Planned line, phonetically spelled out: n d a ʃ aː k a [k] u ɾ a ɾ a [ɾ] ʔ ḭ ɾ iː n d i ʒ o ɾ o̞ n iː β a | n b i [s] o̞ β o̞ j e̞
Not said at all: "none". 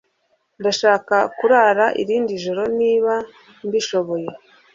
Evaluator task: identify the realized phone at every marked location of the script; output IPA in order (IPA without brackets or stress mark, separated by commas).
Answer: k, none, ʃ